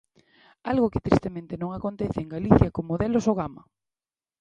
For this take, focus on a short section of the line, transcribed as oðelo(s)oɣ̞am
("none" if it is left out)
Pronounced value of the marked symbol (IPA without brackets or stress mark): s